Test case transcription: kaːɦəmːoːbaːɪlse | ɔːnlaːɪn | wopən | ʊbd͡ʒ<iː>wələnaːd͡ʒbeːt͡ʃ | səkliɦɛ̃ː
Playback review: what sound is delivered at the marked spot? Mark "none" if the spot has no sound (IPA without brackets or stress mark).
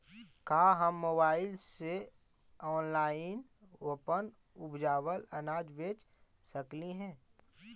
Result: aː